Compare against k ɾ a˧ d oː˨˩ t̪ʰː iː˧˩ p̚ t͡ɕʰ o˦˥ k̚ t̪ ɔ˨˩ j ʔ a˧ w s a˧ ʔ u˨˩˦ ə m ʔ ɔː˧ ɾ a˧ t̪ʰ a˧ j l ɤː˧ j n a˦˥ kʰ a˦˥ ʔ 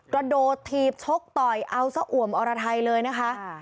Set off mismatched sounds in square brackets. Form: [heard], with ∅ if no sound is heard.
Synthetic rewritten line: k ɾ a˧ d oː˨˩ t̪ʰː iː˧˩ p̚ t͡ɕʰ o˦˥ k̚ t̪ ɔ˨˩ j ʔ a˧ w s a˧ ʔ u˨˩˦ ə m ʔ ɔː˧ ɾ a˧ t̪ʰ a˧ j l ɤː˧ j n a˦˥ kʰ a˦˥ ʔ